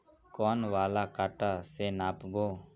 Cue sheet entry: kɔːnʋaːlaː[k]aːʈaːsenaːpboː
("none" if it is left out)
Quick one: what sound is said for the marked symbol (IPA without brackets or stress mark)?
k